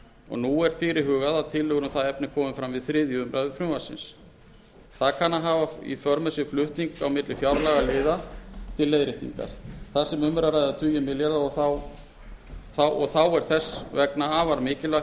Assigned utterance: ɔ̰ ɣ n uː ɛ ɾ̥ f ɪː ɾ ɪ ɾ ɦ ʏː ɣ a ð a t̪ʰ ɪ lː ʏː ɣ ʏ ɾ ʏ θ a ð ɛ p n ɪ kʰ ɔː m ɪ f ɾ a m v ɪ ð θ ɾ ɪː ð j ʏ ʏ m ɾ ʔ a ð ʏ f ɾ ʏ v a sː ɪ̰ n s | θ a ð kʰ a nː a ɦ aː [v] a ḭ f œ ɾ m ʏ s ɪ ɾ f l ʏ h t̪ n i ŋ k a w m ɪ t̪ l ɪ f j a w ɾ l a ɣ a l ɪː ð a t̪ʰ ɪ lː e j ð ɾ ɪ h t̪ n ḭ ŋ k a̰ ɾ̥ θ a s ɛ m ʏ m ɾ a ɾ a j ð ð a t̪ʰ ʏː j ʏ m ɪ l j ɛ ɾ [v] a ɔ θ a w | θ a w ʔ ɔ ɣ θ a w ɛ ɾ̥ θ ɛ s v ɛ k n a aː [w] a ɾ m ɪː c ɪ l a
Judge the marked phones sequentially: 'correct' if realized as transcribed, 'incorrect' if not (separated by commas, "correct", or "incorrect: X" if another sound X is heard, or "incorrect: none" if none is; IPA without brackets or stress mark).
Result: correct, incorrect: ð, incorrect: v